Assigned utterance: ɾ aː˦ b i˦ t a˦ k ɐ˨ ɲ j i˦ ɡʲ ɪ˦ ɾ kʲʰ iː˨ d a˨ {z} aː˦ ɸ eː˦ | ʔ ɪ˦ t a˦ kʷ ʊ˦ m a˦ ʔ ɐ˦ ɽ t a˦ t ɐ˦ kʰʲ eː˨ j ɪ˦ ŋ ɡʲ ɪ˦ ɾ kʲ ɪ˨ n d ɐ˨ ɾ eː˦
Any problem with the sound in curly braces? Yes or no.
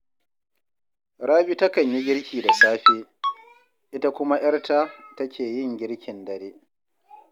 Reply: yes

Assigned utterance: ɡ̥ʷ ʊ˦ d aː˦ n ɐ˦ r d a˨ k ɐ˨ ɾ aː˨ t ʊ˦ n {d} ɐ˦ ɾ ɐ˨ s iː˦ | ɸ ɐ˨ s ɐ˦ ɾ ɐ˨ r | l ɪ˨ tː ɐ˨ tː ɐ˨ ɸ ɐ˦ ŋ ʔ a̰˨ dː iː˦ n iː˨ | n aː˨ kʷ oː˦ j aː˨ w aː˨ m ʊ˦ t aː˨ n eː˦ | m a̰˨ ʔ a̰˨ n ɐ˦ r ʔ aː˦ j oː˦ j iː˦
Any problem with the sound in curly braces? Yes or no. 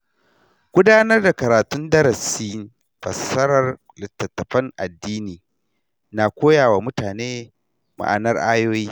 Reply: no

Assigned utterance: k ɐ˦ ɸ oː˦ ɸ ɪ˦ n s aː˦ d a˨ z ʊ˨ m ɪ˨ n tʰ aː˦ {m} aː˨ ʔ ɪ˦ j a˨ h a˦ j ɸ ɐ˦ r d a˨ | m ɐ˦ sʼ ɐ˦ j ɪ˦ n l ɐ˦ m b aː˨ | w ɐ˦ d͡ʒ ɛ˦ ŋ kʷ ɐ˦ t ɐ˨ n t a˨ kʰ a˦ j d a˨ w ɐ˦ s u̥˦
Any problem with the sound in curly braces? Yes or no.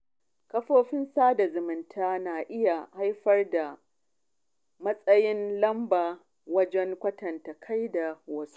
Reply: yes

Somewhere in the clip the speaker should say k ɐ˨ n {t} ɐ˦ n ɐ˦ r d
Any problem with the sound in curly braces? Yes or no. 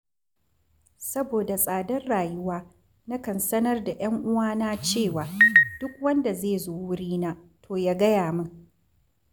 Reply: yes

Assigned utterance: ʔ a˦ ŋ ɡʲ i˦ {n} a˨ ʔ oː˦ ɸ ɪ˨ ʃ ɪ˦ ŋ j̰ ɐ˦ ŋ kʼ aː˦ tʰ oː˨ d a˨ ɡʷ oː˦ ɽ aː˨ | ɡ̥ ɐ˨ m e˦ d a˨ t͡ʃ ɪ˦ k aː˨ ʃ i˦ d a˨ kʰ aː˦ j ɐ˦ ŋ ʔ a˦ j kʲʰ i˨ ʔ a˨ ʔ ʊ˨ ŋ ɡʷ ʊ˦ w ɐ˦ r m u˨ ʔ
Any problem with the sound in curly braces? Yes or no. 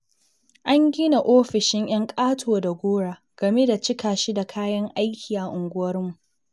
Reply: no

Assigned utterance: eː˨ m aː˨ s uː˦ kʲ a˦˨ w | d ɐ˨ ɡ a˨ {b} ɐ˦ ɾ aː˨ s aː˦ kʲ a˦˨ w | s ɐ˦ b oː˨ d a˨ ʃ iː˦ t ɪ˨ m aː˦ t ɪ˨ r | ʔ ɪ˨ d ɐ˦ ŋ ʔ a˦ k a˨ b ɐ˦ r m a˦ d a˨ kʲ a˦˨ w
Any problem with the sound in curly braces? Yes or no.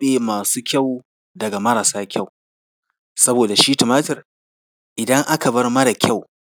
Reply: yes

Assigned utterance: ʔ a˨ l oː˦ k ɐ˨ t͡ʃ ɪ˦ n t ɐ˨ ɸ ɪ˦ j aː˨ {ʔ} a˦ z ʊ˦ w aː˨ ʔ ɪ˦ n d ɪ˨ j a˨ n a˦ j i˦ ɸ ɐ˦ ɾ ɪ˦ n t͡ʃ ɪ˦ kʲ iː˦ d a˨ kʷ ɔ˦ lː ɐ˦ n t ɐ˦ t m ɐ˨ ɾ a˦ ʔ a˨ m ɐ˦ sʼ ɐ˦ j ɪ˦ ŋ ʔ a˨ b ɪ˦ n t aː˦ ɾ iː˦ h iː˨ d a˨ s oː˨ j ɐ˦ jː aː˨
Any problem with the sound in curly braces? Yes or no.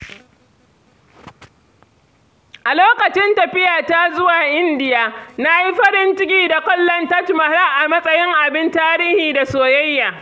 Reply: yes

